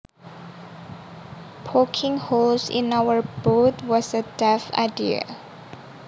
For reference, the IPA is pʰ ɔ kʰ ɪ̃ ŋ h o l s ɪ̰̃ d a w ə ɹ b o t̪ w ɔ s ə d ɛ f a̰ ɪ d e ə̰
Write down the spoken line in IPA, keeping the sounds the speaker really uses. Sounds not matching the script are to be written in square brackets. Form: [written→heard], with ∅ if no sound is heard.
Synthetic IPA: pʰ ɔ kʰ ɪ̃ ŋ h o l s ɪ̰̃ [d→n] a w ə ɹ b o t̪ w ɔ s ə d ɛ f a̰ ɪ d [e→i] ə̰